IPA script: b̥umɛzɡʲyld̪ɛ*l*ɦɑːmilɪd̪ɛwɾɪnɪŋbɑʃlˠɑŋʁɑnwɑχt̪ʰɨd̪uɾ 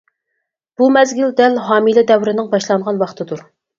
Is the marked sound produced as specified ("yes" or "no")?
yes